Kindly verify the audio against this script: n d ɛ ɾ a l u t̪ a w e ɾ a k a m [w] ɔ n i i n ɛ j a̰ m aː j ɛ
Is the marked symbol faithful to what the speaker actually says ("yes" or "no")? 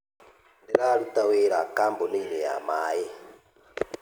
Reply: no